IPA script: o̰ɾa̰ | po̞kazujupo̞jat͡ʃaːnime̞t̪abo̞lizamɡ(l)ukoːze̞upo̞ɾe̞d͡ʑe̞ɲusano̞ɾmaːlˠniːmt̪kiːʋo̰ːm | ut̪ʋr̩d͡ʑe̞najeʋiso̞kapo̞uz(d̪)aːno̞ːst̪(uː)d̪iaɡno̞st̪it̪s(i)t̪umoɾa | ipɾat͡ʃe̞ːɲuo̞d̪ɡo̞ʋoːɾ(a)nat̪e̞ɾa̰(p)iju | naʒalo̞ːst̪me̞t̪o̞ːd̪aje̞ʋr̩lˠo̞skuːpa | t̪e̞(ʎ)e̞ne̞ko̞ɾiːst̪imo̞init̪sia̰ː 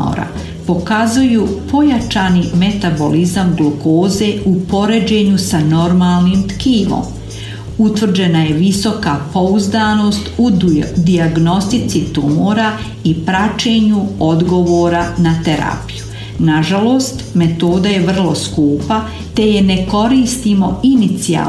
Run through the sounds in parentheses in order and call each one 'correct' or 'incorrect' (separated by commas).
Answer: correct, correct, incorrect, correct, correct, correct, incorrect